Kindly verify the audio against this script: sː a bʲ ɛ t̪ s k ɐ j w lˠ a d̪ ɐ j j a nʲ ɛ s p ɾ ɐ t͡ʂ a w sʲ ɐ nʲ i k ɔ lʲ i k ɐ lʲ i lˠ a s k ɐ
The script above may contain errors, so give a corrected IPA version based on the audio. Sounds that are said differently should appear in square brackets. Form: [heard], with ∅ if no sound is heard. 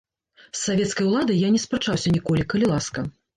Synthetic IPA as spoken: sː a [vʲ] ɛ t̪ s k ɐ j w lˠ a d̪ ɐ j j a nʲ ɛ s p ɾ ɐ t͡ʂ a w sʲ ɐ nʲ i k ɔ lʲ i k ɐ lʲ i lˠ a s k ɐ